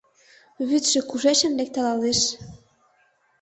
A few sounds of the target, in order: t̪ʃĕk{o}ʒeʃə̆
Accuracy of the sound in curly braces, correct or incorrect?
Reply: incorrect